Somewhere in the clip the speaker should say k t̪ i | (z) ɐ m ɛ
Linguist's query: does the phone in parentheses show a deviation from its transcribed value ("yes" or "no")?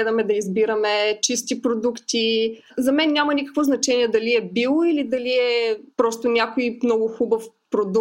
no